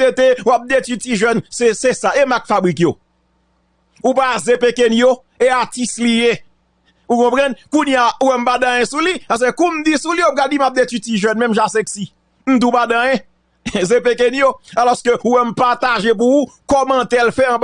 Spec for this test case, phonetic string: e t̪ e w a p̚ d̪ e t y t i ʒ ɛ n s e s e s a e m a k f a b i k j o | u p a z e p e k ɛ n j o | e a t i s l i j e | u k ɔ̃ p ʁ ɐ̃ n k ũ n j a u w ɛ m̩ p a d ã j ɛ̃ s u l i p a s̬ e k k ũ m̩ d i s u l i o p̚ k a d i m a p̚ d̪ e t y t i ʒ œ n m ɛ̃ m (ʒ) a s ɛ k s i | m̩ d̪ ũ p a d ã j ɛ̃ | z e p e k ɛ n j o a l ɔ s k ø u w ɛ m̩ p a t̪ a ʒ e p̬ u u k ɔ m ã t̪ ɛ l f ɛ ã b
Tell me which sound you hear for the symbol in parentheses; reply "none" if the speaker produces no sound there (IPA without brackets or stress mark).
ʒ